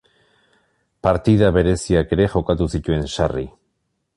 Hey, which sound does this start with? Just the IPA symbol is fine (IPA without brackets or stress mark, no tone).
p